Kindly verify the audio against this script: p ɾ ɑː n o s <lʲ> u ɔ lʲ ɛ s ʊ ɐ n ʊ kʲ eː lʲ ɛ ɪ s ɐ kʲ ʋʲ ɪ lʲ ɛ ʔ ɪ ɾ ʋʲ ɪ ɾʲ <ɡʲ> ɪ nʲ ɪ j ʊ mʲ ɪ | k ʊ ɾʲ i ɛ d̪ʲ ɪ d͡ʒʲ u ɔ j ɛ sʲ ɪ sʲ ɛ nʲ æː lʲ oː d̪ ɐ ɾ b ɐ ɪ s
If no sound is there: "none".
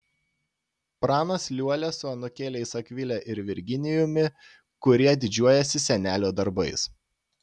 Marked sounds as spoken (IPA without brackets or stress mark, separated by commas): lʲ, ɡʲ